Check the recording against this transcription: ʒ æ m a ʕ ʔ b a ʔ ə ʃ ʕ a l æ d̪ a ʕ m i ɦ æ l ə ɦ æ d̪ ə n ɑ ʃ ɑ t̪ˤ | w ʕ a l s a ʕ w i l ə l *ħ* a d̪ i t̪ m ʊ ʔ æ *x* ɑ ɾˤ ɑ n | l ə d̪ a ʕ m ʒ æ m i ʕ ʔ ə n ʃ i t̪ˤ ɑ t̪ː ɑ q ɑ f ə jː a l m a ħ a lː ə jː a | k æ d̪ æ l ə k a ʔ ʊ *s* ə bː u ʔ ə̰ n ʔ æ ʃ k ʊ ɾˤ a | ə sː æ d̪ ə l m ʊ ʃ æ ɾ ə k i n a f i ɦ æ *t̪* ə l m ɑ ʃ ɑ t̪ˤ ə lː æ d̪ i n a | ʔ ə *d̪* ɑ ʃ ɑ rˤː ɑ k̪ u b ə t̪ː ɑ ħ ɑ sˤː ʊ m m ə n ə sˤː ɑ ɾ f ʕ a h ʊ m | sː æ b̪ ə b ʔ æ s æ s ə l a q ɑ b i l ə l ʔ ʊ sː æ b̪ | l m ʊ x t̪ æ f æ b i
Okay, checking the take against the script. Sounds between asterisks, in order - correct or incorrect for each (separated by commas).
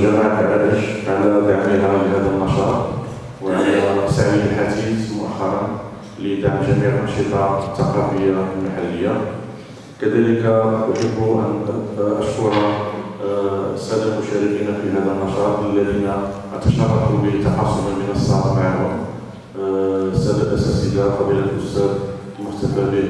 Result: correct, incorrect, incorrect, incorrect, incorrect